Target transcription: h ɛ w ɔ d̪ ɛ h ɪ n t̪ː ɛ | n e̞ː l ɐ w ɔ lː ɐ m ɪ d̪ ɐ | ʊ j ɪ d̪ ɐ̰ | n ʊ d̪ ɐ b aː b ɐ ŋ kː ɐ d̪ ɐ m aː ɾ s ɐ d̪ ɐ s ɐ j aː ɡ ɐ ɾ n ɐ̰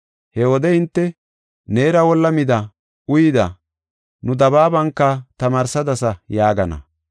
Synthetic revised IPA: h ɛ w ɔ d̪ ɛ h ɪ n t̪ː ɛ | n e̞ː ɾ ɐ w ɔ lː ɐ m ɪ d̪ ɐ | ʊ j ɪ d̪ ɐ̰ | n ʊ d̪ ɐ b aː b ɐ ŋ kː ɐ t̪ ɐ m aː ɾ s ɐ d̪ ɐ s ɐ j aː ɡ ɐ n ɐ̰